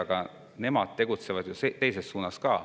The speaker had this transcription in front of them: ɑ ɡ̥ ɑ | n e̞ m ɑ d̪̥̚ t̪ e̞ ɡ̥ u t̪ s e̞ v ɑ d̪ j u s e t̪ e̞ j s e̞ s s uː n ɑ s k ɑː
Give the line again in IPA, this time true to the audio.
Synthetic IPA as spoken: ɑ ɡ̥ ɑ | n e̞ m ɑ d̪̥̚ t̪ e̞ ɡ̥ u t̪ s e̞ v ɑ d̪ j u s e t̪ e̞ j s e̞ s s uː n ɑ s k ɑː